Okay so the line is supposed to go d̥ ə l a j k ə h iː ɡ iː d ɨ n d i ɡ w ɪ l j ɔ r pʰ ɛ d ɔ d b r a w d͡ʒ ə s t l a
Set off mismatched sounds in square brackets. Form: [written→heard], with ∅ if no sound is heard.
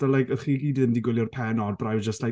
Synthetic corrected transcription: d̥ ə l a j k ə [h→χ] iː ɡ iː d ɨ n d i ɡ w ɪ l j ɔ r pʰ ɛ [d→n] ɔ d b r a w d͡ʒ ə s t l a